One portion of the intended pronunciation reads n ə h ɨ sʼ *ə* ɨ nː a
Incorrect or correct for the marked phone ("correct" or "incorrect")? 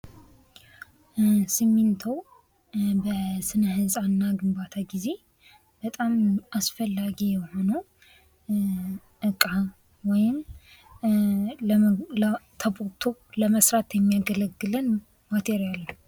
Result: incorrect